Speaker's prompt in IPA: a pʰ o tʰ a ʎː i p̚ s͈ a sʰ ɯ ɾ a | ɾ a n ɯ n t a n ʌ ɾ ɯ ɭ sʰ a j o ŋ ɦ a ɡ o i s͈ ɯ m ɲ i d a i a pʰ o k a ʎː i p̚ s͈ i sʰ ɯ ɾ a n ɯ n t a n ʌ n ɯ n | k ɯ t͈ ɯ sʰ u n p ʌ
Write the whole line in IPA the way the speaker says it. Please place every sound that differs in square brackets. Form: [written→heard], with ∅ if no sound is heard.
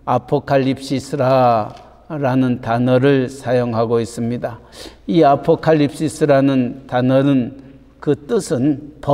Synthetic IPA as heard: a pʰ o [tʰ→kʰ] a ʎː i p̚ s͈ [a→i] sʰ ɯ ɾ a | ɾ a n ɯ n t a n ʌ ɾ ɯ ɭ sʰ a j o ŋ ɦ a ɡ o i s͈ ɯ m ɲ i d a i a pʰ o [k→kʰ] a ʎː i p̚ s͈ i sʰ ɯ ɾ a n ɯ n t a n ʌ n ɯ n | k ɯ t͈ ɯ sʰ [u→ɯ] n p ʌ

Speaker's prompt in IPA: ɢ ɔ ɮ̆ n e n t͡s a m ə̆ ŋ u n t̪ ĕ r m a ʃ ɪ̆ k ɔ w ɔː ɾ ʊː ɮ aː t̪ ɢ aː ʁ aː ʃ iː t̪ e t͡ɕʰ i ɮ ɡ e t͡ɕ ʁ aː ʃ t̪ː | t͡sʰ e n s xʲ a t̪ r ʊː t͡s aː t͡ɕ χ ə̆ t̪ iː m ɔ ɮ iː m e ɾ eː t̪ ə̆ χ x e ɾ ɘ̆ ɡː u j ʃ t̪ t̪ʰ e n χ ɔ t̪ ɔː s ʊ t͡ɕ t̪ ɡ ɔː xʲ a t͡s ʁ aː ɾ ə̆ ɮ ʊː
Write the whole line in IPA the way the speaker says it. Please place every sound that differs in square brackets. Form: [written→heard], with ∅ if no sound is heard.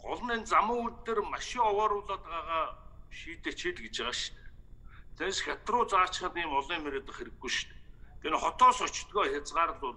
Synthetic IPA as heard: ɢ ɔ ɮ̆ n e n t͡s a m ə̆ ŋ u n t̪ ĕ r m a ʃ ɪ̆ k ɔ w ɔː ɾ ʊː ɮ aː t̪ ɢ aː ʁ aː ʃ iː t̪ e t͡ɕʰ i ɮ ɡ e t͡ɕ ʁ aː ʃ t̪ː | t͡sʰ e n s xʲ a t̪ r ʊː t͡s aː t͡ɕ χ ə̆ t̪ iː m ɔ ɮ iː m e ɾ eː t̪ ə̆ χ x e ɾ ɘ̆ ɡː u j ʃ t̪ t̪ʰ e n χ ɔ t̪ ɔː s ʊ t͡ɕ t̪ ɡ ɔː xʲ a t͡s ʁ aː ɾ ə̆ ɮ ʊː

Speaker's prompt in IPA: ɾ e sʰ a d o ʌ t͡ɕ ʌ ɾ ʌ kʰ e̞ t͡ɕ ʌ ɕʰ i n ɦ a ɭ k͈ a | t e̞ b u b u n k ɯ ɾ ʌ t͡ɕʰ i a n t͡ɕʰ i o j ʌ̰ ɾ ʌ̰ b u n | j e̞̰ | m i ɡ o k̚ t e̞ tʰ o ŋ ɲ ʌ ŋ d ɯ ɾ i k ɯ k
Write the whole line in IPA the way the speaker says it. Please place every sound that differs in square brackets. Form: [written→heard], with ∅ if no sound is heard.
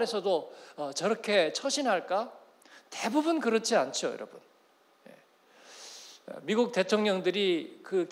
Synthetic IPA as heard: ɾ e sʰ [a→ʌ] d o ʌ t͡ɕ ʌ ɾ ʌ kʰ e̞ [t͡ɕ→t͡ɕʰ] ʌ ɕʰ i n ɦ a ɭ k͈ a | t e̞ b u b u n k ɯ ɾ ʌ t͡ɕʰ i a n t͡ɕʰ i o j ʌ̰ ɾ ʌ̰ b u n | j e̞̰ | m i ɡ [o→u] k̚ t e̞ tʰ o ŋ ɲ ʌ ŋ d ɯ ɾ i k ɯ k

